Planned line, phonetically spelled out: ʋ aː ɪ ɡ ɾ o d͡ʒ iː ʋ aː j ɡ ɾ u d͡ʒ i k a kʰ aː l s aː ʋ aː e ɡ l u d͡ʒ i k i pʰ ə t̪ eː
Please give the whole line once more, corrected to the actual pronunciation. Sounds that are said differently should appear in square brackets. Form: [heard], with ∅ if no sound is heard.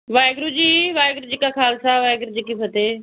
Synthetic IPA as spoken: ʋ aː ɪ ɡ ɾ [u] d͡ʒ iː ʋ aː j ɡ ɾ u d͡ʒ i k a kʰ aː l s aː ʋ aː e ɡ [ɾ] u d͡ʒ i k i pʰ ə t̪ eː